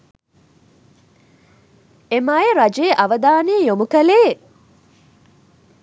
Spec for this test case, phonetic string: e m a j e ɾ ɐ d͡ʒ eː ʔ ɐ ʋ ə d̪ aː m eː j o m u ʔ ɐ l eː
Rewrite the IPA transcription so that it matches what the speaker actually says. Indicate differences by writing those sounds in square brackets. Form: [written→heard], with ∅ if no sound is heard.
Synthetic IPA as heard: e m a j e ɾ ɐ d͡ʒ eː ʔ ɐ ʋ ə d̪ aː [m→n] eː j o m u [ʔ→k] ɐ l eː